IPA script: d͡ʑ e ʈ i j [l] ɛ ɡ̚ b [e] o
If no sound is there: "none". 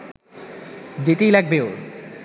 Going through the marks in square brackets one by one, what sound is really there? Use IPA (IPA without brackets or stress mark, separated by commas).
l, e